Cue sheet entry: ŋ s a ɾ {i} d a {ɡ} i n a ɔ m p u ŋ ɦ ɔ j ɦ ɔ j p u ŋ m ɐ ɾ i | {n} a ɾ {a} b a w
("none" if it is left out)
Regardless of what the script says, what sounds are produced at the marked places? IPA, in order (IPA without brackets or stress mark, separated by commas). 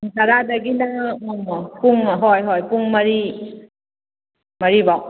a, ɡ, m, i